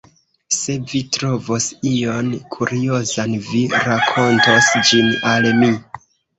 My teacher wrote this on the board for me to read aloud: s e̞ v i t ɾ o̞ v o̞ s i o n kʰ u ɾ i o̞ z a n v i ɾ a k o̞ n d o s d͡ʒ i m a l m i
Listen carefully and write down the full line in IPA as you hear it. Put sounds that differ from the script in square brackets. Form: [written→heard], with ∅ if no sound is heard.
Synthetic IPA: s e̞ v i t ɾ o̞ v o̞ s i o n kʰ u ɾ i o̞ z a n v i ɾ a [k→kʰ] o̞ n [d→t] o s d͡ʒ i [m→n] a l m i